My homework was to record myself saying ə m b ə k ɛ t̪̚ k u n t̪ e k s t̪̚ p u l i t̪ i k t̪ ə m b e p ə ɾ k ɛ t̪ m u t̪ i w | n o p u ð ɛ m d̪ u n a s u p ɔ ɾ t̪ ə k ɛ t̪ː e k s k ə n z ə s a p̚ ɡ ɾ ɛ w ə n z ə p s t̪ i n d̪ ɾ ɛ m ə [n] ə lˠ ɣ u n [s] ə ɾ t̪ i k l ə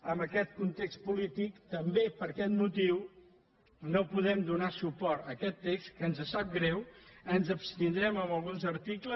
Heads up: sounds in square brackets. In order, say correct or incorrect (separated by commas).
incorrect, incorrect